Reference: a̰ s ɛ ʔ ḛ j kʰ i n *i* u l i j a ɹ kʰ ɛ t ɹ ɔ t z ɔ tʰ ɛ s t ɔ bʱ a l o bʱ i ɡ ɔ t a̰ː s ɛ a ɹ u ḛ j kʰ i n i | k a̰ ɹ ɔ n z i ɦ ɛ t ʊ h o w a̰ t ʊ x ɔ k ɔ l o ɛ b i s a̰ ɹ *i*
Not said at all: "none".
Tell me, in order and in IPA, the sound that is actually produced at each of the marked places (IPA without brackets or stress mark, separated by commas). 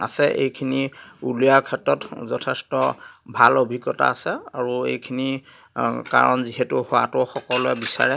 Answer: i, ɛ